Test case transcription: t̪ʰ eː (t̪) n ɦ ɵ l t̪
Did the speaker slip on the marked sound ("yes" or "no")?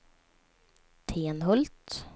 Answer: yes